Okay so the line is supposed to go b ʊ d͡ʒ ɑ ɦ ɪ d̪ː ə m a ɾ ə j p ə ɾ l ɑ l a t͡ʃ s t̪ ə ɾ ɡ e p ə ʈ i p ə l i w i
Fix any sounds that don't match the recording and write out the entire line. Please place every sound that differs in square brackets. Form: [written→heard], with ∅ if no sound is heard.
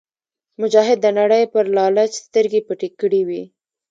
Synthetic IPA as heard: [b→m] ʊ d͡ʒ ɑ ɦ ɪ d̪ː ə [m→n] a [ɾ→ɽ] ə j p ə ɾ l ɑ l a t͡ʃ s t̪ ə ɾ ɡ e p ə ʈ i [p→k] ə [l→ɽ] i w i